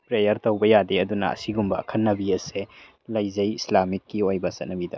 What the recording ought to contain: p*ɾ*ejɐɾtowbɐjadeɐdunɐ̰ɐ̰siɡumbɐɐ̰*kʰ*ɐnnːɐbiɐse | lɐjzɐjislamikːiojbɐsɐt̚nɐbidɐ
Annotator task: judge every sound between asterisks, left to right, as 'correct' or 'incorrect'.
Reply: correct, correct

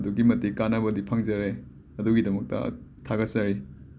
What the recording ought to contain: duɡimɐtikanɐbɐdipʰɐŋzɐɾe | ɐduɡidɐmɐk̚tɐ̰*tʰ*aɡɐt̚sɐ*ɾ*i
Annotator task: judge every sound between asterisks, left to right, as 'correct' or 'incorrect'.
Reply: correct, correct

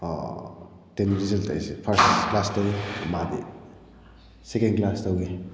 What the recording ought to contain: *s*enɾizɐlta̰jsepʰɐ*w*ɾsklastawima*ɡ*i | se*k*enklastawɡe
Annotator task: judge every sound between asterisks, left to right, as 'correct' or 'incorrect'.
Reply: incorrect, incorrect, incorrect, correct

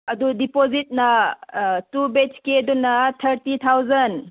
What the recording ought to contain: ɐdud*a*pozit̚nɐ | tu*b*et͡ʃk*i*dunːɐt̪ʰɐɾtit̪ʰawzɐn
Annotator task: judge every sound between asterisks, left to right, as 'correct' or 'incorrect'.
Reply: incorrect, correct, incorrect

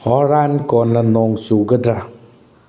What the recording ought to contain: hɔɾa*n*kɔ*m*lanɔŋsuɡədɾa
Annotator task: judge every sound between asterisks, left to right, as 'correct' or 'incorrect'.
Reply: correct, incorrect

